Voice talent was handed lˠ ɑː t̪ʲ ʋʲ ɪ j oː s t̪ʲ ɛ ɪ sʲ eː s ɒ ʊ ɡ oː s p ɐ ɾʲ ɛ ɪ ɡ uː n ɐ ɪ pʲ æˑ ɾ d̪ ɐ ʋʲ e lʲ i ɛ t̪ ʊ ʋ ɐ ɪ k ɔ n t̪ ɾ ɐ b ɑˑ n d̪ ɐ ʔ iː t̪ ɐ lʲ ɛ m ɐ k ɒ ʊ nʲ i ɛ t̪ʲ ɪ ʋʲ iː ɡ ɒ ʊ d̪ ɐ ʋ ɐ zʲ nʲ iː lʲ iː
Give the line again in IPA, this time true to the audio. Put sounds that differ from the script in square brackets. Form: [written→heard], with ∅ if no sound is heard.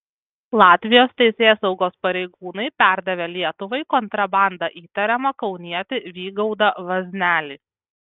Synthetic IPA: lˠ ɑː t̪ʲ ʋʲ ɪ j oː s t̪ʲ ɛ ɪ sʲ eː s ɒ ʊ ɡ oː s p ɐ ɾʲ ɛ ɪ ɡ uː n ɐ ɪ pʲ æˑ ɾ d̪ ɐ ʋʲ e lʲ i ɛ t̪ ʊ ʋ ɐ ɪ k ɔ n t̪ ɾ ɐ b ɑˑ n d̪ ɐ ʔ iː t̪ ɐ [lʲ→ɾʲ] ɛ m ɐ k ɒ ʊ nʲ i ɛ t̪ʲ ɪ ʋʲ iː ɡ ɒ ʊ d̪ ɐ ʋ ɐ zʲ nʲ [iː→æː] lʲ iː